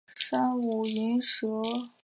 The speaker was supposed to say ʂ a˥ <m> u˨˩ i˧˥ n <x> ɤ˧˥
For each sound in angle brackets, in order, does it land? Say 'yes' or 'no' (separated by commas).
no, no